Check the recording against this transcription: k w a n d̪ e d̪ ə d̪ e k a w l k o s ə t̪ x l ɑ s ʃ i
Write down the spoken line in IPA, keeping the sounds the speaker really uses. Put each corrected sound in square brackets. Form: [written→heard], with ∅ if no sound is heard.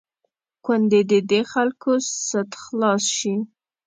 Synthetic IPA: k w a n d̪ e d̪ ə d̪ e [k→x] a [w→∅] l k o s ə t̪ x l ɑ s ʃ i

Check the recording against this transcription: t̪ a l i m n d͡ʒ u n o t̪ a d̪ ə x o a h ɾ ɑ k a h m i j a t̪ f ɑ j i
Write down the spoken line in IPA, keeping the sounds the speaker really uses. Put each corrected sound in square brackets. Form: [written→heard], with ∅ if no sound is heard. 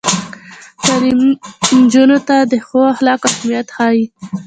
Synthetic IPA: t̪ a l i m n d͡ʒ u n o t̪ a d̪ ə x o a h [ɾ→l] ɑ k a h m i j a t̪ [f→x] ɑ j i

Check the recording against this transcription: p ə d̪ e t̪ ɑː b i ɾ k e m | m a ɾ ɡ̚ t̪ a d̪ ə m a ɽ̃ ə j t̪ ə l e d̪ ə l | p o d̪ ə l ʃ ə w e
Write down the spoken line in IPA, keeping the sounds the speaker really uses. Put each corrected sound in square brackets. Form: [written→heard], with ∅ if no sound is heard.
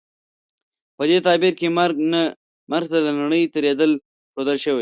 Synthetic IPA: p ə d̪ e t̪ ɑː b i ɾ k e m | m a ɾ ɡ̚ t̪ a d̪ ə [m→n] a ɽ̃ ə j t̪ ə [l→ɾ] e d̪ ə l | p o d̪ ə l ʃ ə w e

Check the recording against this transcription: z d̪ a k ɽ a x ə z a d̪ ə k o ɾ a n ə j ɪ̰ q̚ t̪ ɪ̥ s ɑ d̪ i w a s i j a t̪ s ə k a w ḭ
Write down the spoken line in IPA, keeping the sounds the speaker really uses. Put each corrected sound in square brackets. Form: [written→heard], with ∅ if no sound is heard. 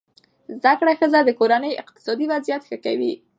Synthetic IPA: z d̪ a k ɽ a x ə z a d̪ ə k o ɾ a n ə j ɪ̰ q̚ t̪ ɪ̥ s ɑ d̪ i w a [s→z] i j a t̪ [s→x] ə k a w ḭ

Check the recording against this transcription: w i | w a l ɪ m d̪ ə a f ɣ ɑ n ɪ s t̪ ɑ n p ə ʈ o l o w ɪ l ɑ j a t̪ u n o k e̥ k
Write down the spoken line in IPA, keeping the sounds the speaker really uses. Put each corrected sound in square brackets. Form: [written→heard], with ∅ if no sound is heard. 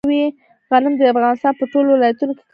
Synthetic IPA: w i | [w→ɣ] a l ɪ m d̪ ə a f ɣ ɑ n ɪ s t̪ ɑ n p ə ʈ o l o w ɪ l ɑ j a t̪ u n o k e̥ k

